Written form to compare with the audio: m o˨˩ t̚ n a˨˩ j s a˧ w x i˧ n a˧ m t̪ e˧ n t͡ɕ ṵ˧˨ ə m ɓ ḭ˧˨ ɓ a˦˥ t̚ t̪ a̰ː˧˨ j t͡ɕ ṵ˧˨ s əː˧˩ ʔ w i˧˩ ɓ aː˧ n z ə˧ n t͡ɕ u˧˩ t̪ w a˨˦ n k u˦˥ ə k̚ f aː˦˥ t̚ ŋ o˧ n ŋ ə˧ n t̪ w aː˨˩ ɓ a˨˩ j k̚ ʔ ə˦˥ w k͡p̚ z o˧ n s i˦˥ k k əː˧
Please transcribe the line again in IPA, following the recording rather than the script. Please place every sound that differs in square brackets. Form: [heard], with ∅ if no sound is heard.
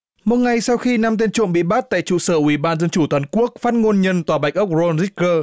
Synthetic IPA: m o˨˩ t̚ [ŋ] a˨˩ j s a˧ w x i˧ n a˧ m t̪ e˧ n t͡ɕ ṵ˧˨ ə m ɓ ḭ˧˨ ɓ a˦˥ t̚ t̪ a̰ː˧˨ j t͡ɕ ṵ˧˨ s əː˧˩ ʔ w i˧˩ ɓ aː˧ n z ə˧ n t͡ɕ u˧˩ t̪ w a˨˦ n k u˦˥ ə k̚ f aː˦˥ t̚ ŋ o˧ n [ɲ] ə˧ n t̪ w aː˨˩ ɓ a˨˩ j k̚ ʔ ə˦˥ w k͡p̚ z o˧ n [z] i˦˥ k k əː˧